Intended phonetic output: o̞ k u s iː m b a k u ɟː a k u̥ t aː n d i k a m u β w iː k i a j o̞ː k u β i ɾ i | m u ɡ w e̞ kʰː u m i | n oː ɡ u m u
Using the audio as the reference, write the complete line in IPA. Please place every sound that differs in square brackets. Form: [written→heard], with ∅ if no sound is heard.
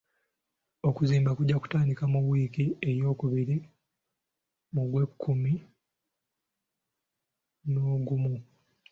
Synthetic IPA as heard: o̞ k u [s→z] iː m b a k u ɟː a k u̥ t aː n d i k a m u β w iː k i [a→e] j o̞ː k u β i ɾ i | m u ɡ w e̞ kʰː u m i | n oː ɡ u m u